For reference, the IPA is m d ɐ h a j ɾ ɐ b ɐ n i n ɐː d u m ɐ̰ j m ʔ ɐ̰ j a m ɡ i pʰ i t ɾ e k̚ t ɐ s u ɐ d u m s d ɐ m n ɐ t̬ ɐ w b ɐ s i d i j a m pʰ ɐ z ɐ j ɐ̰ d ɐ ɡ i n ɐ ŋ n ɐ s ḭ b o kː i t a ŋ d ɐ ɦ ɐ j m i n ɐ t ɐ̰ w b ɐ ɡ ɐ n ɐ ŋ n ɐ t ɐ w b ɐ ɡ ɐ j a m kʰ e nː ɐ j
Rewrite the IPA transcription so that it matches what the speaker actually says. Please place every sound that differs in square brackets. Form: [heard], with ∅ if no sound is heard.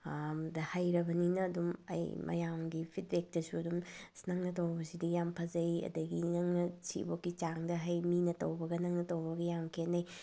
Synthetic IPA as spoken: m d ɐ h a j ɾ ɐ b ɐ n i n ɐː d u m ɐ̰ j m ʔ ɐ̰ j a m ɡ i pʰ i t ɾ e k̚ t ɐ s u ɐ d u m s [n] ɐ [ŋ] n ɐ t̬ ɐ w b ɐ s i d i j a m pʰ ɐ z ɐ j ɐ̰ d ɐ ɡ i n ɐ ŋ n ɐ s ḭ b o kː i [t͡ʃ] a ŋ d ɐ ɦ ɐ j m i n ɐ t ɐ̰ w b ɐ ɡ ɐ n ɐ ŋ n ɐ t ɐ w b ɐ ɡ ɐ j a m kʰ e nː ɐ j